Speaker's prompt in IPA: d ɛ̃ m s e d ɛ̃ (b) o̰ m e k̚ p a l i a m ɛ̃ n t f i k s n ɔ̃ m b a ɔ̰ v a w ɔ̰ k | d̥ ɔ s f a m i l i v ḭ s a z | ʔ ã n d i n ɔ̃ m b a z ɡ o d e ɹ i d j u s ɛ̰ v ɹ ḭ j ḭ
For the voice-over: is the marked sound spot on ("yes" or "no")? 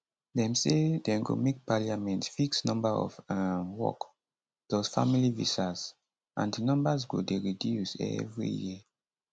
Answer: no